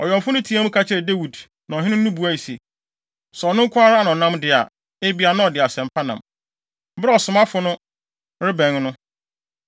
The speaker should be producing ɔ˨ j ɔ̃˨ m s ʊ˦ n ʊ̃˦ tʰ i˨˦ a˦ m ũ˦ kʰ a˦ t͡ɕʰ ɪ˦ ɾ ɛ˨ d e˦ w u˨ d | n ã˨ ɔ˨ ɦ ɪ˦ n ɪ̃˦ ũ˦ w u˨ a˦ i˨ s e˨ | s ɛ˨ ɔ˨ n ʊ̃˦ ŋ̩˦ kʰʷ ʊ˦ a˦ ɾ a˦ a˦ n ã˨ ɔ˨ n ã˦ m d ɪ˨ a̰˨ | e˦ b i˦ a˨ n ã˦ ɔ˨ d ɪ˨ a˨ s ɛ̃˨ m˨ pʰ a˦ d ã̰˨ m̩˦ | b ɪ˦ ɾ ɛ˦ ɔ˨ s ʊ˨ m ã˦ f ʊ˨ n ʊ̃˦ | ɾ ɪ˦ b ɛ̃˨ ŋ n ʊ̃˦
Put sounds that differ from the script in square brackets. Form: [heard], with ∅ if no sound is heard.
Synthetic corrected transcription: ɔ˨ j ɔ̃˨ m [f] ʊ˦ n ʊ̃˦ tʰ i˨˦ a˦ m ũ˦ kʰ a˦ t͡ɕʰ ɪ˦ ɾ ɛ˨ d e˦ w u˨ d | n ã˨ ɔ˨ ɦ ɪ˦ n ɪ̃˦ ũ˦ [b] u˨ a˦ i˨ s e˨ | s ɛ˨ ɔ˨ n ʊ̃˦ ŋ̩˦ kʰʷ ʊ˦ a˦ ɾ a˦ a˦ n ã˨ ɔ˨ n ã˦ m d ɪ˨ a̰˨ | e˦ b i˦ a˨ n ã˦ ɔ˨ d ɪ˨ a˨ s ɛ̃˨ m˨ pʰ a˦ [n] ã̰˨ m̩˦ | b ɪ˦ ɾ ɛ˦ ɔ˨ s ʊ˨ m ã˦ f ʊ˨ n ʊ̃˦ | ɾ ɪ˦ b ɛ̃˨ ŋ n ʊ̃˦

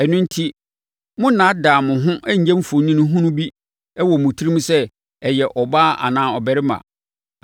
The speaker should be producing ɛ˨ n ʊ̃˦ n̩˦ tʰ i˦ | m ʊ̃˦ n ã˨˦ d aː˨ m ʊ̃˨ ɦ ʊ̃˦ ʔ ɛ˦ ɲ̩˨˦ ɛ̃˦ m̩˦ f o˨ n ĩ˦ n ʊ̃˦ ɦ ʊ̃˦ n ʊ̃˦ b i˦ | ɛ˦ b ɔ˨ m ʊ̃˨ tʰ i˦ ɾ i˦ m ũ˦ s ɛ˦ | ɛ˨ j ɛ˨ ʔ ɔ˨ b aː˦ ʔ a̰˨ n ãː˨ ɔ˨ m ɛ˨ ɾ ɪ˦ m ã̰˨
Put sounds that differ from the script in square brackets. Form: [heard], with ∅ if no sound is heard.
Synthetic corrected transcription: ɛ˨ n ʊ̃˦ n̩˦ tʰ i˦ | m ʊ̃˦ n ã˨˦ d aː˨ m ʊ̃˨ ɦ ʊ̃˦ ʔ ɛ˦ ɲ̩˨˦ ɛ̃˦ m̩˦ f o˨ n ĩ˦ n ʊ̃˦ ɦ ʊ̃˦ n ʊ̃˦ b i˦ | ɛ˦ [w] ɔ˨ m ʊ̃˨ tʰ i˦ ɾ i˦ m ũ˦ s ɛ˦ | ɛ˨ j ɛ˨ ʔ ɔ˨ b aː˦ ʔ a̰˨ n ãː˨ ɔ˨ [b] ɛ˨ ɾ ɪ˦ m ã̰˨

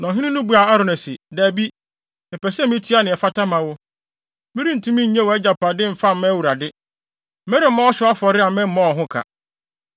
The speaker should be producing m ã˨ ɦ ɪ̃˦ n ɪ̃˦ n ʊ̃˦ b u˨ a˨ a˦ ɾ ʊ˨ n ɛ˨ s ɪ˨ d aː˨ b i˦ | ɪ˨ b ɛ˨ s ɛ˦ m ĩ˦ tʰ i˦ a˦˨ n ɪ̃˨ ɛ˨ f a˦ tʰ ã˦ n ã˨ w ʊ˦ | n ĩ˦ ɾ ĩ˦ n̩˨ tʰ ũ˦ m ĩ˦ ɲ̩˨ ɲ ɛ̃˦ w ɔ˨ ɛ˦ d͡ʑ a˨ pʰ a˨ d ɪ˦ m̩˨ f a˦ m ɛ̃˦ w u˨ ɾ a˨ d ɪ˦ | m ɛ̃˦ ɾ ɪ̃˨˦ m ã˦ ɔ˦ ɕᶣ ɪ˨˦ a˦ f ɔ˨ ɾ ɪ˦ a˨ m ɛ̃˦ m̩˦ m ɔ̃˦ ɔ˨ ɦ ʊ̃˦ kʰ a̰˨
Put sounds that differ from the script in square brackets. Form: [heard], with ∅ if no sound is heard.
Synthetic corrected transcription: [n] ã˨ ɦ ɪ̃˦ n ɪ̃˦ n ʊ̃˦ b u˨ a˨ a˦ ɾ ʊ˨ n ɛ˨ s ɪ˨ d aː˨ b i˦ | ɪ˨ [p] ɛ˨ s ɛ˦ m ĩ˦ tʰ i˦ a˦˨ n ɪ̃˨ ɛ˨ f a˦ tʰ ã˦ [m] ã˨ w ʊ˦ | [m] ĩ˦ ɾ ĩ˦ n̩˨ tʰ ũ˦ m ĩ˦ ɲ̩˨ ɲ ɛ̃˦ w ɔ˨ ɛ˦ d͡ʑ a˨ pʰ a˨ d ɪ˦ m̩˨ f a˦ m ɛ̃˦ w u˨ ɾ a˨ d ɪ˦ | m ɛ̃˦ ɾ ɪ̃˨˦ m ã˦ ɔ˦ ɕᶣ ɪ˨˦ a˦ f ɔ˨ ɾ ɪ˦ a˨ m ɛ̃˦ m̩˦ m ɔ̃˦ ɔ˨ ɦ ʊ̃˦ kʰ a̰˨

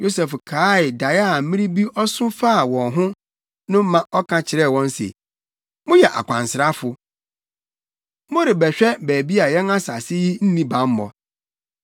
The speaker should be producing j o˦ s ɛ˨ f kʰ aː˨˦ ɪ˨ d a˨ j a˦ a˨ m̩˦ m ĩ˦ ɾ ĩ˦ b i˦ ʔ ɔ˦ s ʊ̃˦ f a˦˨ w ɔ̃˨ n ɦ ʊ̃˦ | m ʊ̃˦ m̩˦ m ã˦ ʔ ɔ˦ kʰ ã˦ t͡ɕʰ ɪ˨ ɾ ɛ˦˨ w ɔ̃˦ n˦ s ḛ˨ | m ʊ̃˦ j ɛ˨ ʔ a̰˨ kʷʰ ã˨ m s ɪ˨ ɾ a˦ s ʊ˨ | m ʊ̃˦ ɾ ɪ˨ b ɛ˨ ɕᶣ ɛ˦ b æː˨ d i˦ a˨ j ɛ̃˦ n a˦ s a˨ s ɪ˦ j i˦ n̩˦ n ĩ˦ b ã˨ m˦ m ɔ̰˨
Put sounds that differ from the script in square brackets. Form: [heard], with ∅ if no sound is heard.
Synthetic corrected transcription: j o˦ s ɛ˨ f kʰ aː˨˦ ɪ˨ d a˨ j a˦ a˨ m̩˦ m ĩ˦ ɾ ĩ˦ b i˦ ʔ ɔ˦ s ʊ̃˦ f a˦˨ w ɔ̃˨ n ɦ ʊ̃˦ | [n] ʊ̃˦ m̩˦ m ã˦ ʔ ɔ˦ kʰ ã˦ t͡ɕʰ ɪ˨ ɾ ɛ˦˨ w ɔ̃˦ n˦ s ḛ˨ | m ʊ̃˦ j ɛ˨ ʔ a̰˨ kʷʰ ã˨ [n] s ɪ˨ ɾ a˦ [f] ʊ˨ | m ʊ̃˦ ɾ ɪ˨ b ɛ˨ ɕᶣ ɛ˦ b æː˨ [b] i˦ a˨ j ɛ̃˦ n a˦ s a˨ s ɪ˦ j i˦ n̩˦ n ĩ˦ b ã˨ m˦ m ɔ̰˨

